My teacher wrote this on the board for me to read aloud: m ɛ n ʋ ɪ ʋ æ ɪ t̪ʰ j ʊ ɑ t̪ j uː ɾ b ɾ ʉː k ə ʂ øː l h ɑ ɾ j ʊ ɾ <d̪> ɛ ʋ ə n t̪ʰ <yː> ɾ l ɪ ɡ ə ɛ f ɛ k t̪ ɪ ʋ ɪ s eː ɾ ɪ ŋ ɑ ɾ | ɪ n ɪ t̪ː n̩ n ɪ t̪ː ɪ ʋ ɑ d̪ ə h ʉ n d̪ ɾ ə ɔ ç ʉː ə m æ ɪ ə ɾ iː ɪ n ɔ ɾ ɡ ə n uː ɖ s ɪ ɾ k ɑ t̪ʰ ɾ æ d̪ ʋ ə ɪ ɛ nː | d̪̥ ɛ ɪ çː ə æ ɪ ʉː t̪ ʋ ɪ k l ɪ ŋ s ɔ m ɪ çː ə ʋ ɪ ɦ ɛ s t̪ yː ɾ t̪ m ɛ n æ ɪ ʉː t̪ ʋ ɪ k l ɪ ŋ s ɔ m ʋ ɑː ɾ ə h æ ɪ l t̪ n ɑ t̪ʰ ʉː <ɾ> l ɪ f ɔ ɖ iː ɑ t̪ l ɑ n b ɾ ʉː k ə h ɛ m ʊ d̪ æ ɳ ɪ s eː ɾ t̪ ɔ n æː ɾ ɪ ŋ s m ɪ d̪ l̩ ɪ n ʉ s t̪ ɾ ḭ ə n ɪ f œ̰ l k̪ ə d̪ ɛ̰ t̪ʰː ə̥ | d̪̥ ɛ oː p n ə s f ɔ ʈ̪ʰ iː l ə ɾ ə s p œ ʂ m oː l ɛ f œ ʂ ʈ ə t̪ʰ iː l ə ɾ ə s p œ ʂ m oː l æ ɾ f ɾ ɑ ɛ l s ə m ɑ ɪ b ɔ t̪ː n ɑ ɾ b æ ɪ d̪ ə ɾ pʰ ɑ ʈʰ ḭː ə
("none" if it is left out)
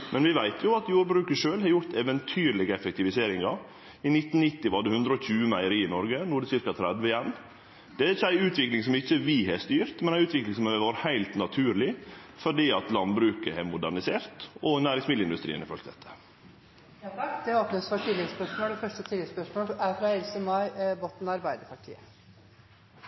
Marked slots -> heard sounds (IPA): t̪, yː, ɾ

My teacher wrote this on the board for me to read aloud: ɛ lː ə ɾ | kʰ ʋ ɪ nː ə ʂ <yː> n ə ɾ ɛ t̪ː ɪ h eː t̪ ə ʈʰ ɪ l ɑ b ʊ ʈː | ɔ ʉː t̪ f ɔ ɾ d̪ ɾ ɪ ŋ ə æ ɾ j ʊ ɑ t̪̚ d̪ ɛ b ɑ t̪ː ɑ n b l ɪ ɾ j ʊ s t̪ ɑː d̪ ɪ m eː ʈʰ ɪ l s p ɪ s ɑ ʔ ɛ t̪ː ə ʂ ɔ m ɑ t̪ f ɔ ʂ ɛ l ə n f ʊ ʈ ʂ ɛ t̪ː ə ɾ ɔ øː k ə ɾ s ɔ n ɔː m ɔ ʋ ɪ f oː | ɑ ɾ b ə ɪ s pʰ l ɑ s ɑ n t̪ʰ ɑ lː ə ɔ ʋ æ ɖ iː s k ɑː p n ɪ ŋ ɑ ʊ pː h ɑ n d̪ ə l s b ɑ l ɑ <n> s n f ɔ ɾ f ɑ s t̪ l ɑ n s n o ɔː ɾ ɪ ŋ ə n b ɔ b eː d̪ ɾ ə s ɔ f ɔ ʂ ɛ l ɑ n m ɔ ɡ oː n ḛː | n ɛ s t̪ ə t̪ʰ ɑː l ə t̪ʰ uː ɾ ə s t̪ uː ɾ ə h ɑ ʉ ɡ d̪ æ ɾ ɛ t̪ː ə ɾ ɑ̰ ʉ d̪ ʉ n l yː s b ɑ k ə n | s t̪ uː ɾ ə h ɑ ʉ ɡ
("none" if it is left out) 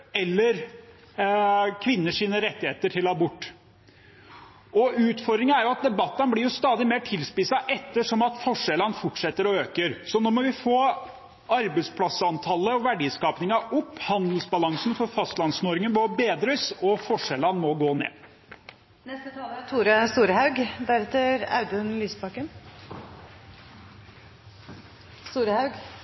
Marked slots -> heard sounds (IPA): iː, ŋ

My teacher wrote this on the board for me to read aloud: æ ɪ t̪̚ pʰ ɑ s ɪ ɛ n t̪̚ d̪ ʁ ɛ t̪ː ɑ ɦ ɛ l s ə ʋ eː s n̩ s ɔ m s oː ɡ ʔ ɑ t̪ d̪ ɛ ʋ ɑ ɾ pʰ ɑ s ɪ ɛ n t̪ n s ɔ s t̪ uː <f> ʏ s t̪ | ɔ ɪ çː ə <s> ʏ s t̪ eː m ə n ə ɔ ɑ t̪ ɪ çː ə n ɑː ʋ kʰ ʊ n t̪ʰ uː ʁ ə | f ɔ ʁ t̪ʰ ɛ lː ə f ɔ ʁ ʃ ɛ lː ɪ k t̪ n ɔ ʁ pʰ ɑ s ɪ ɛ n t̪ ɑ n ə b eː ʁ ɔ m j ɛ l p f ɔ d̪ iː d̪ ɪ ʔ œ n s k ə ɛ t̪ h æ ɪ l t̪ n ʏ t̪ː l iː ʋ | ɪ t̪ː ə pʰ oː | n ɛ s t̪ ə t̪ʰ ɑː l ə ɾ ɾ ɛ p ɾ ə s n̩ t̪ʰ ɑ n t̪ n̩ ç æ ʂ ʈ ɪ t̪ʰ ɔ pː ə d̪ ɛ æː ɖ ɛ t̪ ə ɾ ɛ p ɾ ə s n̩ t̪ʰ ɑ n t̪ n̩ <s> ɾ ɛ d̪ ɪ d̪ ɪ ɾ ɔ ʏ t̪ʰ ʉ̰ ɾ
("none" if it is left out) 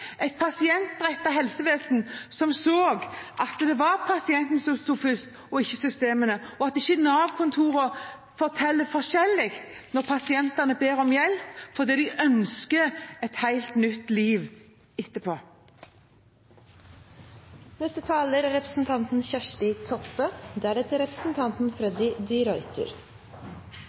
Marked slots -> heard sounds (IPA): f, s, f

